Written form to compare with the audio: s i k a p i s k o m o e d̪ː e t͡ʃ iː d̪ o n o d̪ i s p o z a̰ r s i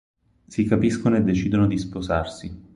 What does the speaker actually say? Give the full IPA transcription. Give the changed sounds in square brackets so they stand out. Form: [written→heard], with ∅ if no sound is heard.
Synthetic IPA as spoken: s i k a p i s k o [m→n] o e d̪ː e t͡ʃ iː d̪ o n o d̪ i s p o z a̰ r s i